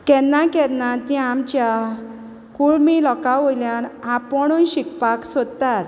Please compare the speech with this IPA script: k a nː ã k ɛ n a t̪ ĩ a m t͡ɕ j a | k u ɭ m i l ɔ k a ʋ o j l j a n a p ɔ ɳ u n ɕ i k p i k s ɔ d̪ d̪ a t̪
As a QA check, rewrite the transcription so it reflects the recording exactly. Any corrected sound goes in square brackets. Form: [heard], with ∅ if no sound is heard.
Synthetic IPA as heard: k [ɛ] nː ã k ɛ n a t̪ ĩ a m t͡ɕ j a | k u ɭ m i l ɔ k a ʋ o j l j a n a p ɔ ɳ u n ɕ i k p [a] k s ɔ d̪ [t̪] a t̪